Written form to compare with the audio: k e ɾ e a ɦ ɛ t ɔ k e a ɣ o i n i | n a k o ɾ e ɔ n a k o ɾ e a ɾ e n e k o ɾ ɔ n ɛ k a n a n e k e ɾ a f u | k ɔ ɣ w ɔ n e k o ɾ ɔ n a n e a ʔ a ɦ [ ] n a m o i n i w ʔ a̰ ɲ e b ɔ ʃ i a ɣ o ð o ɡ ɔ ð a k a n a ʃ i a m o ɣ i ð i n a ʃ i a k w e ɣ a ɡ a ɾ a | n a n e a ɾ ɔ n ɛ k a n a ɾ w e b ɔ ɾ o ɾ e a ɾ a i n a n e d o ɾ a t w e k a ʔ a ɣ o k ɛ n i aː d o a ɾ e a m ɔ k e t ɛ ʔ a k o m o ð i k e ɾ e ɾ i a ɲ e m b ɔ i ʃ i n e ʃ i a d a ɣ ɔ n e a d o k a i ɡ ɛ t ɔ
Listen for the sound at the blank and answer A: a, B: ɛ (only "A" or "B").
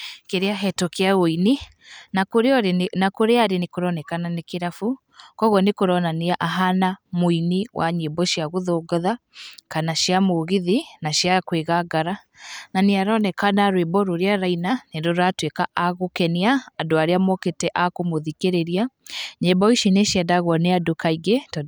A